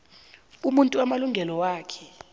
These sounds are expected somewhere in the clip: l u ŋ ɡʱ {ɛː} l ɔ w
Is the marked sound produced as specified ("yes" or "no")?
no